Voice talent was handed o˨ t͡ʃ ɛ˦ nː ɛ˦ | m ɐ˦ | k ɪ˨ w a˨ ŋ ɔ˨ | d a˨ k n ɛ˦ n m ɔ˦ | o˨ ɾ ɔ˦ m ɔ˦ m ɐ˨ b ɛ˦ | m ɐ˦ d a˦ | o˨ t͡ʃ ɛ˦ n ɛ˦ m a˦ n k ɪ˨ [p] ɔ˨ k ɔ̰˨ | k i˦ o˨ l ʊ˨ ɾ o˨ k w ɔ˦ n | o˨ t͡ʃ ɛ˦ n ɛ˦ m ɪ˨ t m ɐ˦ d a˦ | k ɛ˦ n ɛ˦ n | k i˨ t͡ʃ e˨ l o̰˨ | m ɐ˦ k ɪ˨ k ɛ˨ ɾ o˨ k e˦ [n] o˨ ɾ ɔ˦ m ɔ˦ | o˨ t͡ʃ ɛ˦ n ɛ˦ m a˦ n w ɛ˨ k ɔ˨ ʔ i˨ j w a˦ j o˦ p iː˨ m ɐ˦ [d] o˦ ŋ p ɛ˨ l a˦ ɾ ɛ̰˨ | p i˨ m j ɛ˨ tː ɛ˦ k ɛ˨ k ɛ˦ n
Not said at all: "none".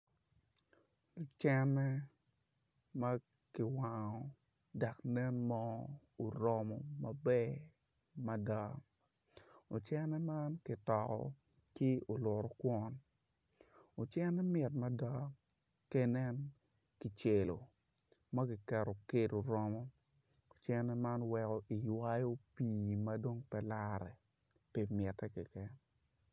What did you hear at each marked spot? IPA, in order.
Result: t, d, d

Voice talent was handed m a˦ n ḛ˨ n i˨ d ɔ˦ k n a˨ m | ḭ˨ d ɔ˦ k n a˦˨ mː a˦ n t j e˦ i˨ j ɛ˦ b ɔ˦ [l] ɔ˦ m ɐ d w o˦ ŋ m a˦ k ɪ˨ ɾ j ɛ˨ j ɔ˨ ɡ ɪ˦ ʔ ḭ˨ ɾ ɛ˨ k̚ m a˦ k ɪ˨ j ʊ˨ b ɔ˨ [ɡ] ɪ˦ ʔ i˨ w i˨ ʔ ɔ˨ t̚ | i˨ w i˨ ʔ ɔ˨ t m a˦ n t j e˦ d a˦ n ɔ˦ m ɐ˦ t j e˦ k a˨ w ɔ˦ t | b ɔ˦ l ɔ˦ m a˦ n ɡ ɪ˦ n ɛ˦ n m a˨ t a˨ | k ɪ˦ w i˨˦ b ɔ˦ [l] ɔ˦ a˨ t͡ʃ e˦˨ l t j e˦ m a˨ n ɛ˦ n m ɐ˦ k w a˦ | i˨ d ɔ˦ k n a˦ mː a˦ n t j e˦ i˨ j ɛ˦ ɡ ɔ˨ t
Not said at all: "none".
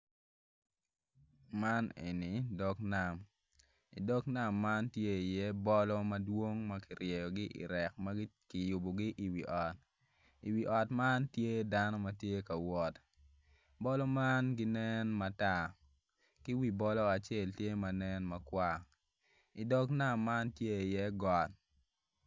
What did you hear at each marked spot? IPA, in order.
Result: l, ɡ, l

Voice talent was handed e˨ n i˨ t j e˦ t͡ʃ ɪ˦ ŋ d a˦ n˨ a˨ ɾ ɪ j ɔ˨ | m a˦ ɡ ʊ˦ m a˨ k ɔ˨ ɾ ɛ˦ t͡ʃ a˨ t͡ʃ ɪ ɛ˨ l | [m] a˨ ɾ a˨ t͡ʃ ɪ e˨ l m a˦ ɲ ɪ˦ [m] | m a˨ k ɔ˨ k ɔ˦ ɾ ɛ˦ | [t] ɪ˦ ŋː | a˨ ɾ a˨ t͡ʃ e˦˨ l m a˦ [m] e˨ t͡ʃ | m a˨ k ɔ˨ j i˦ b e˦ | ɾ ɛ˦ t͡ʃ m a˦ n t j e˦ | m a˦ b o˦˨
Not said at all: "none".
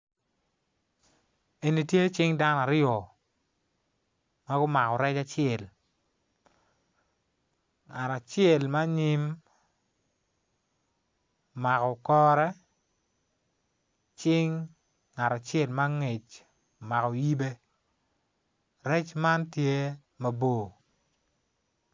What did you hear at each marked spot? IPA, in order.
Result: ŋ, m, t͡ʃ, ŋ

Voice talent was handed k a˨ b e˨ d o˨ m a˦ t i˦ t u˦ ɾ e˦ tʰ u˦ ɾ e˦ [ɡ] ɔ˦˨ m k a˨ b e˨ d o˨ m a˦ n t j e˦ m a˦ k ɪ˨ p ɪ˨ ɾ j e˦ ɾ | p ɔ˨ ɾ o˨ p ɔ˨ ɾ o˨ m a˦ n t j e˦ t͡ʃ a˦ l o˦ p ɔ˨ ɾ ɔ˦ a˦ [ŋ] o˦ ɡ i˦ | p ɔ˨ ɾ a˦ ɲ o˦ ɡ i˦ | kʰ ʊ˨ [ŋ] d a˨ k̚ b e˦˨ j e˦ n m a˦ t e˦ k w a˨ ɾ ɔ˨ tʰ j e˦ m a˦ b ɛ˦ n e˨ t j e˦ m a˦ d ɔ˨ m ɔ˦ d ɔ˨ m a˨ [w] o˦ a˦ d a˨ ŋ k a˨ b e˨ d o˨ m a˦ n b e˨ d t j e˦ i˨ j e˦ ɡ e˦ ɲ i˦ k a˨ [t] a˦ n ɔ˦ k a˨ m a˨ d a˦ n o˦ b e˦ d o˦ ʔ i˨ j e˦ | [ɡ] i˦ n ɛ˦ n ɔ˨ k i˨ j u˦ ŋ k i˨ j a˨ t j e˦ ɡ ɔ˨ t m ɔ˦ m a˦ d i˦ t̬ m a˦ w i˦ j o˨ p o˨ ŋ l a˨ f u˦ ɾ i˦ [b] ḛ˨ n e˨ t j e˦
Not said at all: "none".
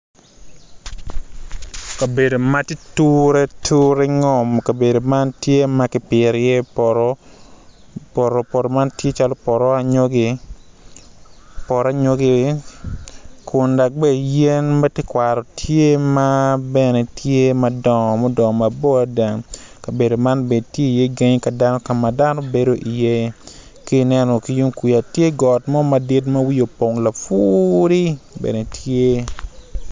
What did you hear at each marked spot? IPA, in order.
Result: ŋ, ɲ, n, b, d, k, b

